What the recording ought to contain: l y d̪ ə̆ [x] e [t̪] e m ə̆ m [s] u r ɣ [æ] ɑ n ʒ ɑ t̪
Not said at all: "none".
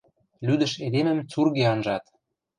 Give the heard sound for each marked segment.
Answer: ʃ, d̪, t͡s, e

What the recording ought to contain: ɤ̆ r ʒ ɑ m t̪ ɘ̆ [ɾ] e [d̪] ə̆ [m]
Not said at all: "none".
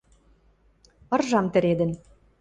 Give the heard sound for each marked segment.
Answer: ɾ, d̪, n

